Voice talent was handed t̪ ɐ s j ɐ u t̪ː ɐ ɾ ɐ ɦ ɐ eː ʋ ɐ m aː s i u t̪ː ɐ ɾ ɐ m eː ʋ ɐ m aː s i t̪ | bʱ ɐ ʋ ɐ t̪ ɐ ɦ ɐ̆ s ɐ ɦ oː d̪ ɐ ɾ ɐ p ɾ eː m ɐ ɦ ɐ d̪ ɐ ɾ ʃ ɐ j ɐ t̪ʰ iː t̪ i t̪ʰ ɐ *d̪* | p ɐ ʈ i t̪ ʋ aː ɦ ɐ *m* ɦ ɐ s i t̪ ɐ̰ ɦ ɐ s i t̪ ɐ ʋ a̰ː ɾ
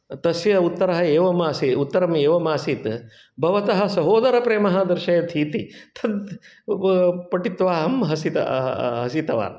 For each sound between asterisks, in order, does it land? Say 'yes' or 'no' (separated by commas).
yes, yes